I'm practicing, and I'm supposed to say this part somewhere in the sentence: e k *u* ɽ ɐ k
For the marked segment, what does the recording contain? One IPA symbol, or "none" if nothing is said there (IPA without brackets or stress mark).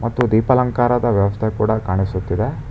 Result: uː